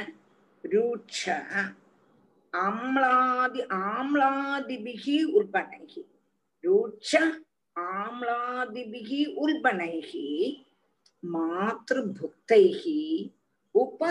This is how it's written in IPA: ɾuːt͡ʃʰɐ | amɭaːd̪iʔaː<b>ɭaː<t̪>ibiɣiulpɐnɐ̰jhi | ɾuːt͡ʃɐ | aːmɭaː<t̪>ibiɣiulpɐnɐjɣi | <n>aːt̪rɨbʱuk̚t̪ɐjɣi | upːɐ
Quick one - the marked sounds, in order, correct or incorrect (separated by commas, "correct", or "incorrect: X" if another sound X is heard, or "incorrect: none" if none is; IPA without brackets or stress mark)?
incorrect: m, incorrect: d̪, incorrect: d̪, incorrect: m